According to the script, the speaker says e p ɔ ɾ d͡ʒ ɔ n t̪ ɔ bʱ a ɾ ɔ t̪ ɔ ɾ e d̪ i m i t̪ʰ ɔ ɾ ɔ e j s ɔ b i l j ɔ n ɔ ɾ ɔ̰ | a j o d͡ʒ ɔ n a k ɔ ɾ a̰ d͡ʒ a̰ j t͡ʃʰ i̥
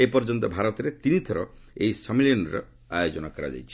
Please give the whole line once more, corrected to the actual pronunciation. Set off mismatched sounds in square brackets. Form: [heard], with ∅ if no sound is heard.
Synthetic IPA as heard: e p ɔ ɾ d͡ʒ ɔ n t̪ ɔ bʱ a ɾ ɔ t̪ ɔ ɾ e [t̪] i [n] i t̪ʰ ɔ ɾ ɔ e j s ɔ [m] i l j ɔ n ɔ ɾ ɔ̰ | a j o d͡ʒ ɔ n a k ɔ ɾ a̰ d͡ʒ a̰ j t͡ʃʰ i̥

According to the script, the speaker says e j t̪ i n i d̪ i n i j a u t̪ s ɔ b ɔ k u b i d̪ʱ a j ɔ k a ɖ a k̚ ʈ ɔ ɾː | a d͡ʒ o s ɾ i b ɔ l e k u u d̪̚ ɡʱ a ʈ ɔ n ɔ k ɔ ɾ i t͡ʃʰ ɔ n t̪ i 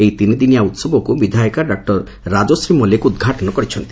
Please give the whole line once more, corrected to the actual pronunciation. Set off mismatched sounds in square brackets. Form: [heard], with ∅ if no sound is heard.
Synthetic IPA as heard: e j t̪ i n i d̪ i n i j a u t̪ s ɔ b ɔ k u b i d̪ʱ a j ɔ k a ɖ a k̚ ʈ ɔ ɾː | a d͡ʒ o s ɾ i [m] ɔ l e k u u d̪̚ ɡʱ a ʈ ɔ n ɔ k ɔ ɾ i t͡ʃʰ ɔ n t̪ i

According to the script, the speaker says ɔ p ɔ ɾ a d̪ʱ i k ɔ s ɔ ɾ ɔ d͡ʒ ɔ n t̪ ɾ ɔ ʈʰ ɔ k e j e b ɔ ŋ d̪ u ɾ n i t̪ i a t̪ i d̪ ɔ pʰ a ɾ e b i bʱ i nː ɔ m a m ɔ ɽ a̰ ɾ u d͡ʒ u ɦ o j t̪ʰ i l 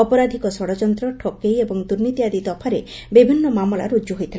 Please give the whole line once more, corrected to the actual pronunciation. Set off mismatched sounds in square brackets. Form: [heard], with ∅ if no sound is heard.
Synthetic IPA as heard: ɔ p ɔ ɾ a d̪ʱ i k ɔ s ɔ [ɽ] ɔ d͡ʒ ɔ n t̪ ɾ ɔ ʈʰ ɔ k e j e b ɔ ŋ d̪ u ɾ n i t̪ i a [d̪] i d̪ ɔ pʰ a ɾ e b i bʱ i nː ɔ m a m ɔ [l] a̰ ɾ u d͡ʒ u ɦ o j t̪ʰ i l

